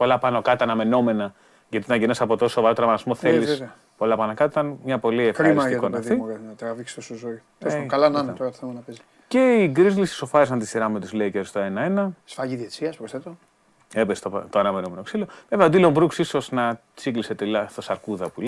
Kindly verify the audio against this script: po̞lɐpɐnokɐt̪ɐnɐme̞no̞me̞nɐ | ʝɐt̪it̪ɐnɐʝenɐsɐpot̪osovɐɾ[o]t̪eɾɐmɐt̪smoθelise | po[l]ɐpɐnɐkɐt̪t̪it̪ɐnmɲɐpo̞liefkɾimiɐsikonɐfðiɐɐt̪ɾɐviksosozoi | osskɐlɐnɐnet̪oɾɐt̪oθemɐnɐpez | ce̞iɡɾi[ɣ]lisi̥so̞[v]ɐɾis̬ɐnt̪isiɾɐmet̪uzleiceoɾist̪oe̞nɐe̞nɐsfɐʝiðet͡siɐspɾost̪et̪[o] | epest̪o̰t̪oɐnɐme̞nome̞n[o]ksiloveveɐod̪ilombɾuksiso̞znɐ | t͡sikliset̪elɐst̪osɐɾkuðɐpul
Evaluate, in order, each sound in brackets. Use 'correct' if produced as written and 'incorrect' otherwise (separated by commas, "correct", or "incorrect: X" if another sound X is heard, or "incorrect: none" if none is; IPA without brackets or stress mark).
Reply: correct, correct, incorrect: z, incorrect: f, correct, correct